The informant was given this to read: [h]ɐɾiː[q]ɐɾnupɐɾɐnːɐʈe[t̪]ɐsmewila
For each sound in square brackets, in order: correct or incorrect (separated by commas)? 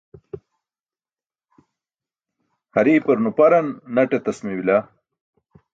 correct, incorrect, correct